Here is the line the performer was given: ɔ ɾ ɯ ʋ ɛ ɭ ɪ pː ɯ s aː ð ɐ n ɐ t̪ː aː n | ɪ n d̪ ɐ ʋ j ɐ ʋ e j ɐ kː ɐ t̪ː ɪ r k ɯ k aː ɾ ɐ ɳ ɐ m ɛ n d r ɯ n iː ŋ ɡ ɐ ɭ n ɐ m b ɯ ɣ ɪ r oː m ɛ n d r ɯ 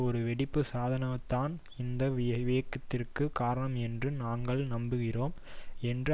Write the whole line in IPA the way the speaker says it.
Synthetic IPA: ɔ ɾ ɯ ʋ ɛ ɽ ɪ pː ɯ s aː ð ɐ n ɐ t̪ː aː n | ɪ n d̪ ɐ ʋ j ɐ ʋ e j ɐ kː ɐ t̪ː ɪ r k ɯ k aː ɾ ɐ ɳ ɐ m ɛ n d r ɯ n aː ŋ ɡ ɐ ɭ n ɐ m b ɯ ɣ ɪ r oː m ɛ n d r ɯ